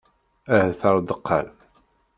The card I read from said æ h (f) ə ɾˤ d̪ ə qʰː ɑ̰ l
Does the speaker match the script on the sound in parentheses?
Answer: no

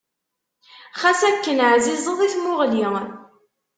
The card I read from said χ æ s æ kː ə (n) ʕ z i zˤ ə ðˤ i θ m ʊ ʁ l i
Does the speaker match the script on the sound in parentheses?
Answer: yes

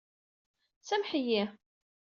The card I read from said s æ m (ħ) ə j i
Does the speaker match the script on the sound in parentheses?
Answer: yes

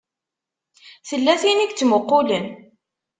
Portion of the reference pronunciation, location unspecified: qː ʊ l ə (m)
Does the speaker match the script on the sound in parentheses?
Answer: no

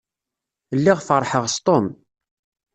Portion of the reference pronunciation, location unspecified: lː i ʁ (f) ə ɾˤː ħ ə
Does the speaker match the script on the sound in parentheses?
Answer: yes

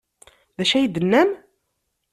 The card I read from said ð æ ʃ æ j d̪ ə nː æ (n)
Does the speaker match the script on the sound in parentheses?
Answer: no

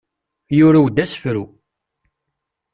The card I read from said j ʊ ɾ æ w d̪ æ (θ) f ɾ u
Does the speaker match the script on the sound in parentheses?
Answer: no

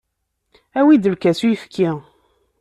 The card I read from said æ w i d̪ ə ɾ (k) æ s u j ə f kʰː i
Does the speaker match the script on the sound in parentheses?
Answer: yes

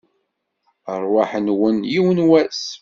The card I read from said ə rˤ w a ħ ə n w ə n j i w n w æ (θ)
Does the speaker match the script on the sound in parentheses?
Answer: no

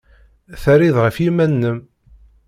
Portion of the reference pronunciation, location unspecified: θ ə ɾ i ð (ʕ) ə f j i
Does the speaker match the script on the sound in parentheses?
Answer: no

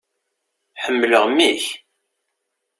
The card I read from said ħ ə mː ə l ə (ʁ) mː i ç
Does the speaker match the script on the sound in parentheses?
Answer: yes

